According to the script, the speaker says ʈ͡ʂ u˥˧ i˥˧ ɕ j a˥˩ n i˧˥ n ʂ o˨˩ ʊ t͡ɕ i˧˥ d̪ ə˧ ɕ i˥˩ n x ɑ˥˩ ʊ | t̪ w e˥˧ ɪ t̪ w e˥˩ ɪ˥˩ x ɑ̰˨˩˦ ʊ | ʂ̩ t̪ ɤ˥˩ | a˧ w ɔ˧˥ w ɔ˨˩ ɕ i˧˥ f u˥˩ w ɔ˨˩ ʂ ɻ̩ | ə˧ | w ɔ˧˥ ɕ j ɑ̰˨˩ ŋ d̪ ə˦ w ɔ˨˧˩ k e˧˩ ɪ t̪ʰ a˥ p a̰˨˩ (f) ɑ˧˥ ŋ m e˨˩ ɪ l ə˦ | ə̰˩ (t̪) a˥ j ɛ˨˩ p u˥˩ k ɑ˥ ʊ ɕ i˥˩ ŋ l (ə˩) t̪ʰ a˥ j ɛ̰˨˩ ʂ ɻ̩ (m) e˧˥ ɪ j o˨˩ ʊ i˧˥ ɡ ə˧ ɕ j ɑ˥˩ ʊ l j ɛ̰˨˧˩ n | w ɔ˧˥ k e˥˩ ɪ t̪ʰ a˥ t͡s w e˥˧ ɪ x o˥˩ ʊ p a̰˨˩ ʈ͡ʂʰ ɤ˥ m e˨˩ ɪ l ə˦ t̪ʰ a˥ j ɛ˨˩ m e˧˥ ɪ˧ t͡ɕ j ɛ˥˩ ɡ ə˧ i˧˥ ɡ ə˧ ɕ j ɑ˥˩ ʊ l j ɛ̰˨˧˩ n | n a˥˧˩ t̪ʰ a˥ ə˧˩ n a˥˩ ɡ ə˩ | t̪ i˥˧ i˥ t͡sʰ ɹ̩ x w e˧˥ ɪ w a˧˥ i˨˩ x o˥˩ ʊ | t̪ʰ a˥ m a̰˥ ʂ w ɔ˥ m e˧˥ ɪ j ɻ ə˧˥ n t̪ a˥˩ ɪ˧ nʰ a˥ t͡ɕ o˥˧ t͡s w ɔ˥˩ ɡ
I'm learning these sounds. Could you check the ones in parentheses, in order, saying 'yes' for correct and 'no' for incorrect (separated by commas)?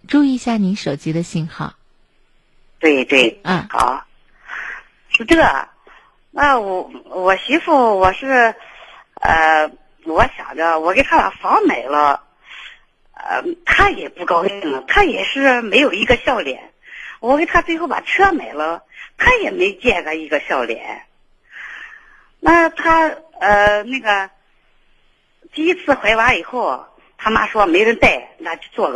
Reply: yes, no, yes, yes